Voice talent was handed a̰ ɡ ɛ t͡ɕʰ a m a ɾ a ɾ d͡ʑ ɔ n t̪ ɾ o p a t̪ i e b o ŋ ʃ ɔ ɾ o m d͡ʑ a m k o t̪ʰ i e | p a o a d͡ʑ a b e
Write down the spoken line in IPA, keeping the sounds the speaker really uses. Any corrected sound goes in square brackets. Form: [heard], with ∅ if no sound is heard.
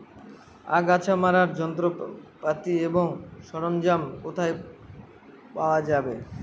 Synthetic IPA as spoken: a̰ ɡ [a] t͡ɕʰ a m a ɾ a ɾ d͡ʑ ɔ n t̪ ɾ o p a t̪ i e b o ŋ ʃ ɔ ɾ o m d͡ʑ a m k o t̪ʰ [a] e | p a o a d͡ʑ a b e